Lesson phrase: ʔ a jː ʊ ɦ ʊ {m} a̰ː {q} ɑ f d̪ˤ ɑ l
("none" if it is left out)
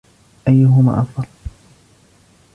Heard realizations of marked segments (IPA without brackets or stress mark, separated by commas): m, ʔ